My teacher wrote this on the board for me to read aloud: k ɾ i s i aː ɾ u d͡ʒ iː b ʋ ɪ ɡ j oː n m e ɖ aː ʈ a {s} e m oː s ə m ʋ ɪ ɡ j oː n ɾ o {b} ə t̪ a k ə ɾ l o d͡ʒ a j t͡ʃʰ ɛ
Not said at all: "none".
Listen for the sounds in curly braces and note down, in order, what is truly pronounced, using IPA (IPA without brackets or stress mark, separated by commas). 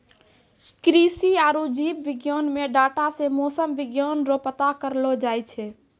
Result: s, p